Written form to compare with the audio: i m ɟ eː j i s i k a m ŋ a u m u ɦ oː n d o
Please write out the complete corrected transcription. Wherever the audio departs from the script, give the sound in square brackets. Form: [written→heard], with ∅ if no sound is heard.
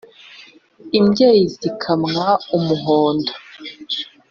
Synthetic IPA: i m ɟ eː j i [s→z] i [k→kʰ] a m ŋ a u m u ɦ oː n d o